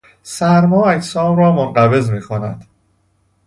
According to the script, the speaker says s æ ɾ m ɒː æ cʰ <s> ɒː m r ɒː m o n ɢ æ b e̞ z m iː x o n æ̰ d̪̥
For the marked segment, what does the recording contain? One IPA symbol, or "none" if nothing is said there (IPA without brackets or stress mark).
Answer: s